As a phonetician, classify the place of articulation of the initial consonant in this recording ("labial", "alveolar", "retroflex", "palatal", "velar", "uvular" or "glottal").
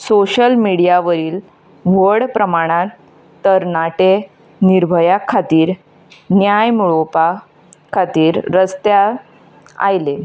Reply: alveolar